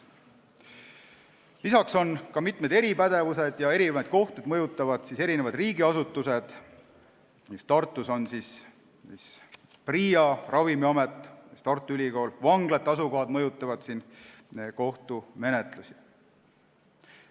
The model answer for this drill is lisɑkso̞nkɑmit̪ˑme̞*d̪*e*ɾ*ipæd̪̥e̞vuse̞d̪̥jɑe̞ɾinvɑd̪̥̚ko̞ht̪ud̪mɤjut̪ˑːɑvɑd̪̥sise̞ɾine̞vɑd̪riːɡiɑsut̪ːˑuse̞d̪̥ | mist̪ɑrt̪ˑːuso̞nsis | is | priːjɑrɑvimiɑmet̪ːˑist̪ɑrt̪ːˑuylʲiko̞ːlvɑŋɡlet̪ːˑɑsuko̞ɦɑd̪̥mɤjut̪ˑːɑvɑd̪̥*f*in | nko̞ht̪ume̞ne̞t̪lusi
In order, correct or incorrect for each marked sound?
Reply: correct, correct, incorrect: s

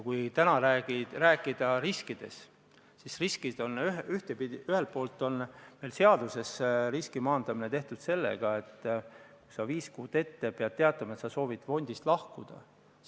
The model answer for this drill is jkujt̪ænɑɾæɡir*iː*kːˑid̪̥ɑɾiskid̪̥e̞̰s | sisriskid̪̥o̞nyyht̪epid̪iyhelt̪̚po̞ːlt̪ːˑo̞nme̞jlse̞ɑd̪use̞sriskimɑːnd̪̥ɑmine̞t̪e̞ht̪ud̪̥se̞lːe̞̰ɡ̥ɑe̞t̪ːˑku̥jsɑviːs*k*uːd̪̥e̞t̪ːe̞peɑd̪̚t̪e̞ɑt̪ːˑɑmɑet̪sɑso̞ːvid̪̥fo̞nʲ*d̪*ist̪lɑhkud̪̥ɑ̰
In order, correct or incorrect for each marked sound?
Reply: incorrect: æː, correct, correct

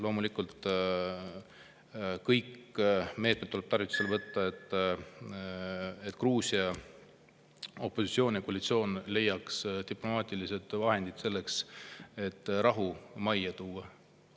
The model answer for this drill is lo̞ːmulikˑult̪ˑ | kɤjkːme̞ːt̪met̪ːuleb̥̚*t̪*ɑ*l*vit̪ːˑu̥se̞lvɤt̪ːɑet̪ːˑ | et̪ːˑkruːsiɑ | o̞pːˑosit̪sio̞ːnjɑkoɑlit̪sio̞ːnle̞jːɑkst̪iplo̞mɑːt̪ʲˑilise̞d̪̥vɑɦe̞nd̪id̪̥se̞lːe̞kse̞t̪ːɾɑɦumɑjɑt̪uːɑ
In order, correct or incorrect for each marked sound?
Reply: correct, incorrect: r

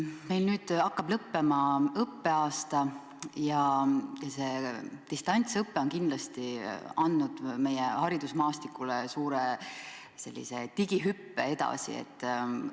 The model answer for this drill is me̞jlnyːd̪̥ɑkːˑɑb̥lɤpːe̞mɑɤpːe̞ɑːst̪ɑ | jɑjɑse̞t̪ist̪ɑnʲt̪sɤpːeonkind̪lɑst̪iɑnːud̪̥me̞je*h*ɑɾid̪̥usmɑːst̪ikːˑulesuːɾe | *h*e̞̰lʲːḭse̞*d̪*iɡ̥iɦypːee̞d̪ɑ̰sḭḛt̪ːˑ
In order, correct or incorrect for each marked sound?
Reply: correct, incorrect: s, incorrect: t̪

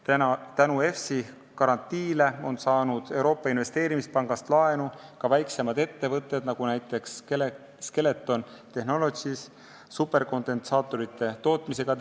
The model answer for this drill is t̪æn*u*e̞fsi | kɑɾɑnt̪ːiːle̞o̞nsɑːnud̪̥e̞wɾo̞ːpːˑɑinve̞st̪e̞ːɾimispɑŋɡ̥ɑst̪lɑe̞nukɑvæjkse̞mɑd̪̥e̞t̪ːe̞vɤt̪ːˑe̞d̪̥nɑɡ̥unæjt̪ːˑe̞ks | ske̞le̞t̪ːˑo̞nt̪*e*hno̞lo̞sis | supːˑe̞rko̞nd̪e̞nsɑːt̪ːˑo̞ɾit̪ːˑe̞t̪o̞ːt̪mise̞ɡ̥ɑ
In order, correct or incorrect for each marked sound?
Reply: correct, correct

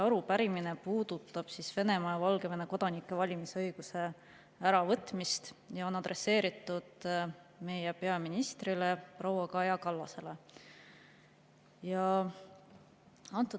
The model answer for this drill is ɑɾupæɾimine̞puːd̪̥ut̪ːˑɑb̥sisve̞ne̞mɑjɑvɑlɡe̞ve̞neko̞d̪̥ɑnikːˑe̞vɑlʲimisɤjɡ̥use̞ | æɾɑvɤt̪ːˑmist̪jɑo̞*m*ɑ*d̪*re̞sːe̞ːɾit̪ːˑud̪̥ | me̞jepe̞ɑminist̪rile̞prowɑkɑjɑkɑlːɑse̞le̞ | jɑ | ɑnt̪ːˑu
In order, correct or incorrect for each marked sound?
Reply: incorrect: n, correct

